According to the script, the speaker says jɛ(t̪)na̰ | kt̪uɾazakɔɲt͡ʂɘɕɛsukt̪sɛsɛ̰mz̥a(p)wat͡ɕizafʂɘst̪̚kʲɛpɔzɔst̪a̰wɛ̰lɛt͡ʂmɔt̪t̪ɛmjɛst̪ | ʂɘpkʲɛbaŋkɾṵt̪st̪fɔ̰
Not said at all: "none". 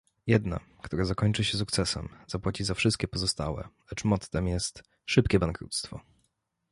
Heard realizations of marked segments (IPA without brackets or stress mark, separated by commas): d̪, p